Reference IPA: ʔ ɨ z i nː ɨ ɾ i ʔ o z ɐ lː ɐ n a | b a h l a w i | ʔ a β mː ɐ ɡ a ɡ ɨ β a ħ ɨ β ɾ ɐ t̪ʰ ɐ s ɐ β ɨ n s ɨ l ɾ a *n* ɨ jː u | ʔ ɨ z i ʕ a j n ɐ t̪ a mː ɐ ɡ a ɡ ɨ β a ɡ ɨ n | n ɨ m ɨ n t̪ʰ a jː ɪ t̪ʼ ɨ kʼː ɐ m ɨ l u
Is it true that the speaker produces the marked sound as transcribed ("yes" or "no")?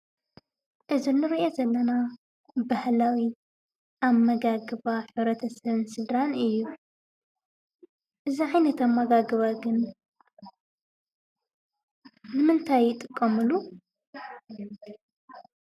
yes